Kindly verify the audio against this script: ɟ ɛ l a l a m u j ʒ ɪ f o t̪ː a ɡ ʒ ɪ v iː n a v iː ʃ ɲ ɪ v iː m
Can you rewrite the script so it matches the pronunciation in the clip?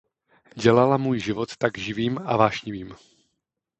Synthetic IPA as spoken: ɟ ɛ l a l a m uː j ʒ ɪ v o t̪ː a ɡ ʒ ɪ v iː m a v aː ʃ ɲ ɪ v iː m